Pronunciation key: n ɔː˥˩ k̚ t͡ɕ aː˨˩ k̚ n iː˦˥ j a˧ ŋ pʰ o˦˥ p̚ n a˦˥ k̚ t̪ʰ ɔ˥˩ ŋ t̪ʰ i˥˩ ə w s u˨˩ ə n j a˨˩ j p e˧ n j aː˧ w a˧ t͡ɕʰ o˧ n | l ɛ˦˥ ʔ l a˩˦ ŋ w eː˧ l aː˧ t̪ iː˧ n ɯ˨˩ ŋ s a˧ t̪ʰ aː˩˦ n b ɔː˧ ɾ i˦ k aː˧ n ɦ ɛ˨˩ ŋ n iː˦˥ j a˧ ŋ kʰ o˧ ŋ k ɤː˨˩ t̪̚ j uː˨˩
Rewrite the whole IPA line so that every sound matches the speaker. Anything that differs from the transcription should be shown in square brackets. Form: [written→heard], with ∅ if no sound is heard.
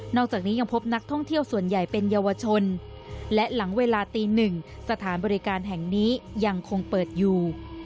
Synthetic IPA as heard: n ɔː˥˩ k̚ t͡ɕ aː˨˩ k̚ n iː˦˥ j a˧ ŋ pʰ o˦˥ p̚ n a˦˥ k̚ t̪ʰ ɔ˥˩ ŋ t̪ʰ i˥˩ ə w s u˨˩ ə n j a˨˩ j p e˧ n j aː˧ w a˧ t͡ɕʰ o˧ n | l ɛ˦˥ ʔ l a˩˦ ŋ w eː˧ l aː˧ t̪ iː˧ n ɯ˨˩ ŋ s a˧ t̪ʰ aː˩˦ n b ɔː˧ ɾ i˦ k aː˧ n ɦ ɛ˨˩ ŋ n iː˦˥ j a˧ ŋ kʰ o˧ ŋ [k→p] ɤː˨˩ t̪̚ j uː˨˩